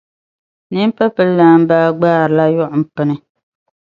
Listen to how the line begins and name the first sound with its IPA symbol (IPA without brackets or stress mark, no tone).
n